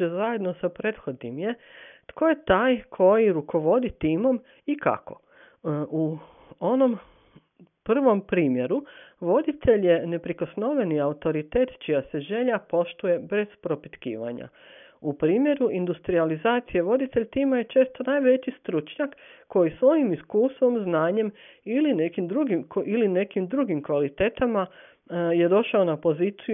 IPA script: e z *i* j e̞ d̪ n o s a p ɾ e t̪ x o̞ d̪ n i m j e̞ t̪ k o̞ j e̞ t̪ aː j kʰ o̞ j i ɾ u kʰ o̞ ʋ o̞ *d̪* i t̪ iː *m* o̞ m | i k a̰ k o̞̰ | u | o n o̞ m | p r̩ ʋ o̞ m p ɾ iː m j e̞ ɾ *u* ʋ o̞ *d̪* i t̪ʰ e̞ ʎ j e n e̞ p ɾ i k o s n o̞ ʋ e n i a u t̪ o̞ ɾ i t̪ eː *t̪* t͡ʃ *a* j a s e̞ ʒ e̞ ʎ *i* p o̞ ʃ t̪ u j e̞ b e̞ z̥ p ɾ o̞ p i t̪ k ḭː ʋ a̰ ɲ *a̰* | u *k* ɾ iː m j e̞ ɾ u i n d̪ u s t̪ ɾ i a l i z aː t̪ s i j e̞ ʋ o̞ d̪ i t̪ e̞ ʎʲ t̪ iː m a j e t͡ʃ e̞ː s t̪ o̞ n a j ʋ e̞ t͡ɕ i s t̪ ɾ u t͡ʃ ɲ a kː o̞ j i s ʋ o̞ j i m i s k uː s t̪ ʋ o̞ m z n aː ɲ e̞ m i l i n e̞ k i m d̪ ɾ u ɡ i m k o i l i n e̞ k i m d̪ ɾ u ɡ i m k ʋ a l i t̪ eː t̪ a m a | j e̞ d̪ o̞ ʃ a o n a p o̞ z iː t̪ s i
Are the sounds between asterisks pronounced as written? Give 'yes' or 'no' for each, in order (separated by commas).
no, yes, yes, yes, yes, yes, no, no, yes, no